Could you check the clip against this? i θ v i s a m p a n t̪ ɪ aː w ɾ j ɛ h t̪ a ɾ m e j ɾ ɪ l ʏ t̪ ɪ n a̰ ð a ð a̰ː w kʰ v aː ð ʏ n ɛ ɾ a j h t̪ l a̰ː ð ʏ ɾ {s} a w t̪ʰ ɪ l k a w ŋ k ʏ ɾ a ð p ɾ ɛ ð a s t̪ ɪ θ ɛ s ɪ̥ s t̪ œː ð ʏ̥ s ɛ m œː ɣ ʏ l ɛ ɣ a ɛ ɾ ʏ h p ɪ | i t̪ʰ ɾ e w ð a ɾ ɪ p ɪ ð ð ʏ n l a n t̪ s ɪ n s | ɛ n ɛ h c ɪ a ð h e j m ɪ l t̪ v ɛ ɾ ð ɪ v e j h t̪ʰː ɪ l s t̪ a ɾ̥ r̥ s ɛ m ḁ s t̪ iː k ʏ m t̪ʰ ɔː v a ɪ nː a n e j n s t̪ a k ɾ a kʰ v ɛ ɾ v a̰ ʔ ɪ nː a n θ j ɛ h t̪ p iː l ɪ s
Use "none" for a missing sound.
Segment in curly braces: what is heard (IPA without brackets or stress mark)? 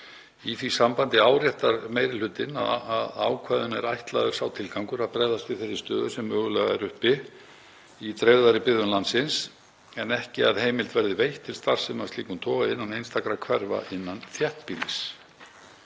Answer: s